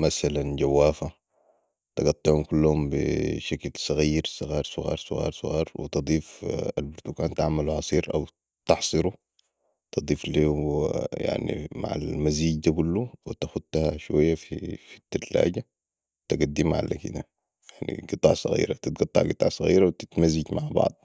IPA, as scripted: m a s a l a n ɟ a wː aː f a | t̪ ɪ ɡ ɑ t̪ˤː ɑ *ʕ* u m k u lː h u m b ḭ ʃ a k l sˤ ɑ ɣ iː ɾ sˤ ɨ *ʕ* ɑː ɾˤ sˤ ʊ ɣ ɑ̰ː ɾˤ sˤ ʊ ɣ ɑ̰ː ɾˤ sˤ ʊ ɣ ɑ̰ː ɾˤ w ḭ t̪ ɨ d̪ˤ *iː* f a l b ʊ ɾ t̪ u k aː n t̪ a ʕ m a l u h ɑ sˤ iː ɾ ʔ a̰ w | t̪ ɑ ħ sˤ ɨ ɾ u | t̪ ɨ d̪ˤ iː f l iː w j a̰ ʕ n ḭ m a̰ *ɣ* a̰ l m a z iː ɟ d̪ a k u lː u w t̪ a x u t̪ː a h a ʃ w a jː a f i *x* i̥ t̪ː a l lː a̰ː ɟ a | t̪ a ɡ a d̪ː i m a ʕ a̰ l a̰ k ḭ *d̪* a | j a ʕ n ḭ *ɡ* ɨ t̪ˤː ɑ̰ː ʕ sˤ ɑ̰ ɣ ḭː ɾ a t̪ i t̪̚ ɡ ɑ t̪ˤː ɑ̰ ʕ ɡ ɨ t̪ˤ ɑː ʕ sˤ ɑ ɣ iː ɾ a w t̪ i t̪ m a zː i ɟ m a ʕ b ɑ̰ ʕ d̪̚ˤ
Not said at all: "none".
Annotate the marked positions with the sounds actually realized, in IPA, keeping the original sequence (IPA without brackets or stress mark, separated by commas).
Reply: ʕ, ɣ, iː, ʕ, f, d̪, ɡ